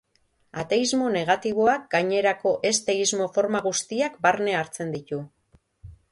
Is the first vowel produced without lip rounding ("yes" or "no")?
yes